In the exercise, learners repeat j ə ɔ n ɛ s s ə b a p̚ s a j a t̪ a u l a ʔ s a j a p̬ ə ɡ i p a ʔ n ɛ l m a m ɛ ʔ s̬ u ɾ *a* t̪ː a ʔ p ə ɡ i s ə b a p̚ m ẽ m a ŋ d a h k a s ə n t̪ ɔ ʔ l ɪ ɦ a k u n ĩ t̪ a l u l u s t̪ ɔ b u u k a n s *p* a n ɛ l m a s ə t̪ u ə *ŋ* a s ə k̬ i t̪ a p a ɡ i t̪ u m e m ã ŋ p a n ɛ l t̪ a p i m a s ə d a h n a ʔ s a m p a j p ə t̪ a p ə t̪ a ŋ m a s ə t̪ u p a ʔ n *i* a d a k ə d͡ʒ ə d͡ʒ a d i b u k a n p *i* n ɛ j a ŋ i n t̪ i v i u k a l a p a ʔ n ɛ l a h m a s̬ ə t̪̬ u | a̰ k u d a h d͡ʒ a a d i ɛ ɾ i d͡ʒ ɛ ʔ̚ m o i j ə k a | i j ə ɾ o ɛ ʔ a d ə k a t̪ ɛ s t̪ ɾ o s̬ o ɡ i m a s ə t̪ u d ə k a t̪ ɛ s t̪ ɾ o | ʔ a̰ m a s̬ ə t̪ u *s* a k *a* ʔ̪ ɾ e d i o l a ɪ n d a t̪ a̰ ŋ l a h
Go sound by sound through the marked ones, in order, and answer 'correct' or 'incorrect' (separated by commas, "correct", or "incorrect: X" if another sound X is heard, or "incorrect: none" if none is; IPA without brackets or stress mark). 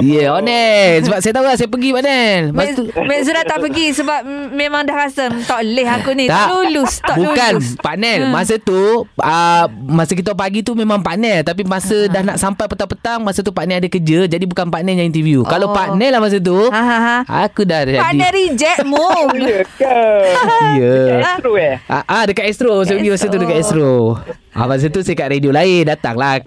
correct, correct, incorrect: m, incorrect: ɛ, incorrect: a, correct, correct